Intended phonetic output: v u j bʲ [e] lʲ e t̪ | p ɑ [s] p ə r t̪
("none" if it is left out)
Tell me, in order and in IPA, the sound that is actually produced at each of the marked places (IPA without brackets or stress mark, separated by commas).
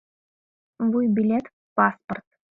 i, s